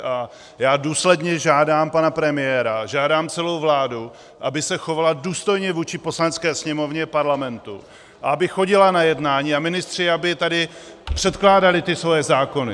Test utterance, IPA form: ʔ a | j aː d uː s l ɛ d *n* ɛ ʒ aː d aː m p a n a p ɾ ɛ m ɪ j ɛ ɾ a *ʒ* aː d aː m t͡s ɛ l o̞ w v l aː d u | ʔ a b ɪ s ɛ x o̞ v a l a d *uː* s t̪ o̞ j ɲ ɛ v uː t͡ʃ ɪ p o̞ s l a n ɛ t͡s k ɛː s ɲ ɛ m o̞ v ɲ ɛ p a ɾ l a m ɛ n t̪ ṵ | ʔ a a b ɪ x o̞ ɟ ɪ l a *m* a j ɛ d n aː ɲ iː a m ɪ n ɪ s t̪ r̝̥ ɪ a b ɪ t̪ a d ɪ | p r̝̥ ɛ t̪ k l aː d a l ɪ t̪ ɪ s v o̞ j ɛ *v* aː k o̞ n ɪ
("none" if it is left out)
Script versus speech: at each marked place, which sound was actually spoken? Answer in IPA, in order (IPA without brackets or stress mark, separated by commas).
ɲ, ʒ, uː, n, z